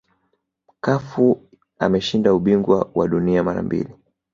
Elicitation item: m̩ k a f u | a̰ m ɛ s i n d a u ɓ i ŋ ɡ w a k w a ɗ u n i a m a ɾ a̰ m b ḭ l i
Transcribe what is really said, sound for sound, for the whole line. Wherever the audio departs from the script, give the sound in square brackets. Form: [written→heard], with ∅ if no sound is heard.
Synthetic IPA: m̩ k a f u | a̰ m ɛ [s→ʃ] i n d a u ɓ i ŋ ɡ w a [k→∅] w a ɗ u n i a m a ɾ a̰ m b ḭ l i

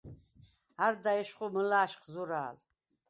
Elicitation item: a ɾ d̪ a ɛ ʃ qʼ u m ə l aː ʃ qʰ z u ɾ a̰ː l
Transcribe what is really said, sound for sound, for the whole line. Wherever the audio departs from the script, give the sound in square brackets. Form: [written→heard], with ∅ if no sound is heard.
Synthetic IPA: a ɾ d̪ a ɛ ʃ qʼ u m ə l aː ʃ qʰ z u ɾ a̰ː l

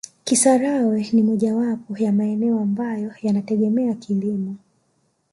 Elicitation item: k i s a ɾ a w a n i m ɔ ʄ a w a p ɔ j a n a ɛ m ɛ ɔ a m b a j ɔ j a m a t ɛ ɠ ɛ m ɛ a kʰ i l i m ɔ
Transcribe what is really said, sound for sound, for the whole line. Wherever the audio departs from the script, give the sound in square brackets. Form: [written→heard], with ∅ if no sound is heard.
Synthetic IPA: k i s a ɾ a w [a→ɛ] n i m ɔ ʄ a w a p ɔ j a [n→m] a ɛ [m→n] ɛ ɔ a m b a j ɔ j a [m→n] a t ɛ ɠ ɛ m ɛ a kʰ i l i m ɔ

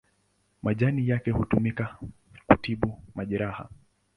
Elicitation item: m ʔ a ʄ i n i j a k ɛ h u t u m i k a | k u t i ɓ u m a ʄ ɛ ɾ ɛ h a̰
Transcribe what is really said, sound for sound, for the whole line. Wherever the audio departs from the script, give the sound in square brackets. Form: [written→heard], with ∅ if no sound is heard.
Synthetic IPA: m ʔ a ʄ [i→a] n i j a k ɛ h u t u m i k a | k u t i ɓ u m a ʄ ɛ ɾ [ɛ→a] h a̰

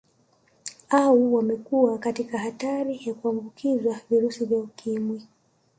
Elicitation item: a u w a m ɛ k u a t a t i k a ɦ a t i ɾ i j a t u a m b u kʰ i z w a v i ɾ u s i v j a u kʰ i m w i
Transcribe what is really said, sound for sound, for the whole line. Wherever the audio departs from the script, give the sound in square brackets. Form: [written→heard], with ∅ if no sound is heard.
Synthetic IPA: a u w a m ɛ k u a [t→k] a t i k a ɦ a t [i→a] ɾ i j a [t→k] u a m b u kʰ i z w a v i ɾ u s i v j a u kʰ i m w i

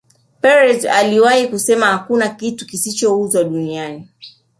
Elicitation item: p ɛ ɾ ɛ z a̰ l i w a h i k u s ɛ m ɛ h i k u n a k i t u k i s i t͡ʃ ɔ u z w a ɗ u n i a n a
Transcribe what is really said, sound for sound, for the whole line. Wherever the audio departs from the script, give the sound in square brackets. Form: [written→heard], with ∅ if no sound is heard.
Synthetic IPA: p ɛ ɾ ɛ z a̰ l i w a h i k u s ɛ m [ɛ→a] h [i→a] k u n a k i t u k i s i t͡ʃ ɔ u z w a ɗ u n i a n [a→i]

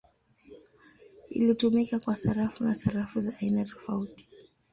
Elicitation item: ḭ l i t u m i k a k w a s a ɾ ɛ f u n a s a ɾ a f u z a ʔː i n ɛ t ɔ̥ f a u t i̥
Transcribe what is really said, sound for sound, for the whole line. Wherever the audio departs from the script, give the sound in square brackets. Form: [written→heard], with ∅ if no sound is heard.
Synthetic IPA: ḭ l i t u m i k a k w a s a ɾ [ɛ→a] f u n a s a ɾ a f u z a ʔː i n [ɛ→a] t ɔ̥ f a u t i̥

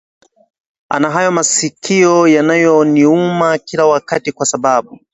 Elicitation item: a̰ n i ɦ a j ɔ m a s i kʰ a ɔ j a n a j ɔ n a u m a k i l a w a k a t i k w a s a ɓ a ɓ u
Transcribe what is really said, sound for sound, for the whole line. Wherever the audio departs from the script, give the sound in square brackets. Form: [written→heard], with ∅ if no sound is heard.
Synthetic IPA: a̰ n [i→a] ɦ a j ɔ m a s i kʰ [a→i] ɔ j a n a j ɔ n [a→i] u m a k i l a w a k a t i k w a s a ɓ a ɓ u

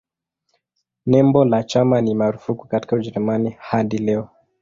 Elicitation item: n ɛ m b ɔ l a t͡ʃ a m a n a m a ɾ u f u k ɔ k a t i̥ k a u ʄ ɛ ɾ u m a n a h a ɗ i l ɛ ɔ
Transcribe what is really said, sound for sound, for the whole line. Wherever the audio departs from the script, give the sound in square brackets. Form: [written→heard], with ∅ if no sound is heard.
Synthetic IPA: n ɛ m b ɔ l a t͡ʃ a m a n [a→i] m a ɾ u f u k [ɔ→u] k a t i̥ k a u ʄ ɛ ɾ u m a n [a→i] h a ɗ i l ɛ ɔ

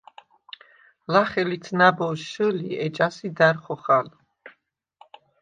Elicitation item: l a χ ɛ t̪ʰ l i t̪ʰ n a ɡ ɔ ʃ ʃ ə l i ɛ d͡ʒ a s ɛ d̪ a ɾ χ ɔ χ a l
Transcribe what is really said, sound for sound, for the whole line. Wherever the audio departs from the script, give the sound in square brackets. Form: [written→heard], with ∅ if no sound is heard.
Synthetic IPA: l a χ ɛ [t̪ʰ→∅] l i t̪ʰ n a [ɡ→b] ɔ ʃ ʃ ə l i ɛ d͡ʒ a s [ɛ→i] d̪ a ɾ χ ɔ χ a l

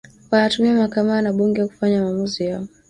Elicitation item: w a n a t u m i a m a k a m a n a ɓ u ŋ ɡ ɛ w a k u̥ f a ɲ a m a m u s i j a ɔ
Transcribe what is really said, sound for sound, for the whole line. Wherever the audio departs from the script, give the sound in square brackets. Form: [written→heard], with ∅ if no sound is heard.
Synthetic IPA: w a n a t u m i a m a k a m a n a ɓ u ŋ ɡ ɛ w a k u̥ f a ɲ a m a m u [s→z] i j a ɔ

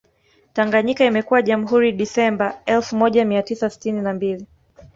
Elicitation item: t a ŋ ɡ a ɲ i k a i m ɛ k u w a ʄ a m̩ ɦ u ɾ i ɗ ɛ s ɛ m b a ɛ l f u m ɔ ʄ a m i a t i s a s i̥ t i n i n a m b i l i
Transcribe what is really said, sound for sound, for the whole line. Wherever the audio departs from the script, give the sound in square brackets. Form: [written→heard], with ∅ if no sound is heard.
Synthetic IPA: t a ŋ ɡ a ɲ i k a i m ɛ k u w a ʄ a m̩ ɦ u ɾ i ɗ [ɛ→i] s ɛ m b a ɛ l f u m ɔ ʄ a m i a t i s a s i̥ t i n i n a m b i l i

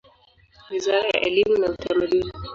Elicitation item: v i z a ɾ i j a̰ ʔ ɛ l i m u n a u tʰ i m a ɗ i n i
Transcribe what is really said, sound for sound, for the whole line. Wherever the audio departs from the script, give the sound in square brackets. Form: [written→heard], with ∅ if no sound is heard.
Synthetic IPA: [v→w] i z a ɾ [i→a] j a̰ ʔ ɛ l i m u n a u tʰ [i→a] m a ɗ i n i

